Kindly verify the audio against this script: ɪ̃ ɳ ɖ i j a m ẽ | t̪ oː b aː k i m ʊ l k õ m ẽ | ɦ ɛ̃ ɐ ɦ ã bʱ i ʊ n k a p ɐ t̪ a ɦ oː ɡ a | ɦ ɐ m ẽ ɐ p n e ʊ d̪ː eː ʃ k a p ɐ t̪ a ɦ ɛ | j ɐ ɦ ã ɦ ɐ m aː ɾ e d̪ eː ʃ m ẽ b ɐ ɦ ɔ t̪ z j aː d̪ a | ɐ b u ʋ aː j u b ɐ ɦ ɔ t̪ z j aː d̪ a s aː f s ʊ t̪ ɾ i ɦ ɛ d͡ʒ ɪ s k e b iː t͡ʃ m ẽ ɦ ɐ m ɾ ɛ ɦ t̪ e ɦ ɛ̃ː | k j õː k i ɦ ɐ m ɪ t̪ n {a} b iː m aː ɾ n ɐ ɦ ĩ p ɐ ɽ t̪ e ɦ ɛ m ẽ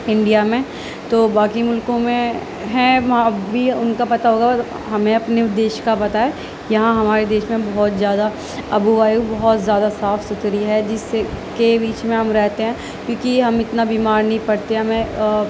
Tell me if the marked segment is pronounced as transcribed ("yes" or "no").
yes